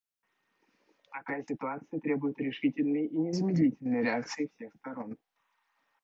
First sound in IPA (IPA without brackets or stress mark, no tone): t̪